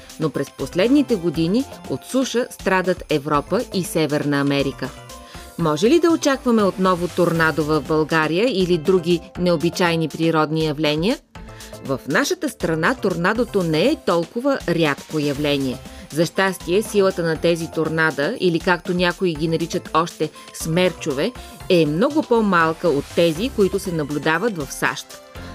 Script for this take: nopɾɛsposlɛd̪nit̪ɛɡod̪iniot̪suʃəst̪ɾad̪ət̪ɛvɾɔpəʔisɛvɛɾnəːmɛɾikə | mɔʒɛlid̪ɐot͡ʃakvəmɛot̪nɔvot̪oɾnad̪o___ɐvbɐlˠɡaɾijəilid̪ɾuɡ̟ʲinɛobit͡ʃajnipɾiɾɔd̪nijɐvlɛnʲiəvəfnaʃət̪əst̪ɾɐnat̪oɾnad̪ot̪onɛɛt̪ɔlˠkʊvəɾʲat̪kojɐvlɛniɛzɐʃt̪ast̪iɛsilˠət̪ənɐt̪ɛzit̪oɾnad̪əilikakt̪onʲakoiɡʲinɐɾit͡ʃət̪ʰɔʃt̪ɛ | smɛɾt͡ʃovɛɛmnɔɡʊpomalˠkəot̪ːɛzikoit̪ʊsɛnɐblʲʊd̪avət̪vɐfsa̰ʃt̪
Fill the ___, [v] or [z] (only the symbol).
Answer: v